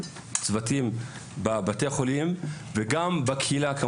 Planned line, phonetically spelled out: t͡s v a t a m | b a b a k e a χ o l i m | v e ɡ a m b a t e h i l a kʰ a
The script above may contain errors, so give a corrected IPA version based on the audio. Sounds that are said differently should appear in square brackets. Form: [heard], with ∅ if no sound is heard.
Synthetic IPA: t͡s v a t [i] m | b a b a [t] e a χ o l i m | v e ɡ a m b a [k] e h i l a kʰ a

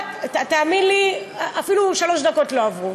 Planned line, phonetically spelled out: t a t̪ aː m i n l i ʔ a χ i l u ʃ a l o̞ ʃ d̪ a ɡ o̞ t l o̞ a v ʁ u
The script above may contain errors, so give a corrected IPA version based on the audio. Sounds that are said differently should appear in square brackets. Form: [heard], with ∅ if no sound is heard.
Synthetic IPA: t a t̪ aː m i n l i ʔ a [f] i l u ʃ a l o̞ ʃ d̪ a [k] o̞ t l o̞ a v ʁ u

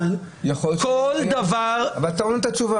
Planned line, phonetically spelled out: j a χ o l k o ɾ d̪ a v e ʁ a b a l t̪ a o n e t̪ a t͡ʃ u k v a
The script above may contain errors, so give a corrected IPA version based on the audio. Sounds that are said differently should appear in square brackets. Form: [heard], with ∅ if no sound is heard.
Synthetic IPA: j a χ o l k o [l] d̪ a v [a] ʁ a [v] a l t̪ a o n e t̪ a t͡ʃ u [∅] v a

